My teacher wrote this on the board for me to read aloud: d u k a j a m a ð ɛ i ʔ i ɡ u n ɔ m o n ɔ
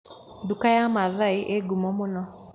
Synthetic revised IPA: d u k a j a m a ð a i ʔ e ɡ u m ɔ m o n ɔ